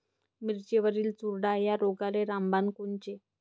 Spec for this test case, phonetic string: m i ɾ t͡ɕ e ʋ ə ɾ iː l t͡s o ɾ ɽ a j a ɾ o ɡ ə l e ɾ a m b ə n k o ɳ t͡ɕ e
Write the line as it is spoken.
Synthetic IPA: m i ɾ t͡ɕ e ʋ ə ɾ iː l t͡s u ɾ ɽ a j a ɾ o ɡ a l e ɾ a m b a n k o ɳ t͡ɕ e